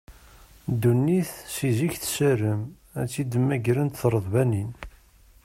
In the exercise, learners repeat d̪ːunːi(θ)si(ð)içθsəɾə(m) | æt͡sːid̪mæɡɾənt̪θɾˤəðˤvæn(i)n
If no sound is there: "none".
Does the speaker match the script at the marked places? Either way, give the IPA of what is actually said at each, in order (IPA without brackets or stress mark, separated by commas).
θ, z, m, i